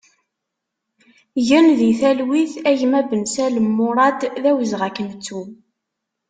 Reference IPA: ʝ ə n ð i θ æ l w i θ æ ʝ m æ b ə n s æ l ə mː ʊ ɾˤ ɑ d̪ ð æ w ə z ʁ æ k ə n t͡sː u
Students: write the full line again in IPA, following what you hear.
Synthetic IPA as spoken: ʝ ə n ð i θ æ l w i θ æ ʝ m æ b ə n s æ l ə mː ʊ ɾˤ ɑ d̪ ð æ w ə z ʁ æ k ə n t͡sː u